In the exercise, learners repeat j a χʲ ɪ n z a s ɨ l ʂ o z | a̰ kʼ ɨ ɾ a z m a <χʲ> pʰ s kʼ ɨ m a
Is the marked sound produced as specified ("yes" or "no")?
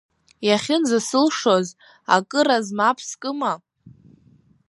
no